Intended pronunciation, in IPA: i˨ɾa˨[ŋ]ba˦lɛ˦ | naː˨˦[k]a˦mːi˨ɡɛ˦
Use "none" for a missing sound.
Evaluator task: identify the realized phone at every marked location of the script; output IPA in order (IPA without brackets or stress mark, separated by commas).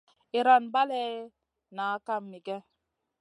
n, k